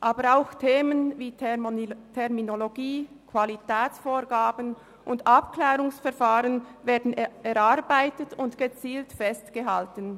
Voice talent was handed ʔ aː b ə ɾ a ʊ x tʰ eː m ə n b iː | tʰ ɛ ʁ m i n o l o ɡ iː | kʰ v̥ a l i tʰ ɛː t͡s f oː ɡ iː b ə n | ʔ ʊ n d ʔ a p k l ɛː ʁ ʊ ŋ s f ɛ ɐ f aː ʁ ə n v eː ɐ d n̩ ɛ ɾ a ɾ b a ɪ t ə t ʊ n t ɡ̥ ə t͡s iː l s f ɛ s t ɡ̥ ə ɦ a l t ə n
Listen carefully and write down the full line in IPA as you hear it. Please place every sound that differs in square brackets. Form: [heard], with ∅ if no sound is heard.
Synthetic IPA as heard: ʔ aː b ə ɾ a ʊ x tʰ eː m ə n [v] iː | tʰ ɛ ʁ m i n o l o ɡ iː | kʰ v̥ a l i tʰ ɛː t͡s f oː ɡ [aː] b ə n | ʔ ʊ n d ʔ a p k l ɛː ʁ ʊ ŋ s f ɛ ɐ f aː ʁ ə n v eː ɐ d n̩ ɛ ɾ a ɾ b a ɪ t ə t ʊ n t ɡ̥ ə t͡s iː l [t] f ɛ s t ɡ̥ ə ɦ a l t ə n